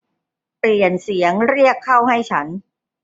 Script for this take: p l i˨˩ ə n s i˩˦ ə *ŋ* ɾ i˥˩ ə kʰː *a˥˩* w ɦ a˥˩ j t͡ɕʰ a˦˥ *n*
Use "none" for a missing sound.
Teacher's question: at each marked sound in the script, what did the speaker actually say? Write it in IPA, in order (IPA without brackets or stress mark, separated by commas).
ŋ, a˥˩, n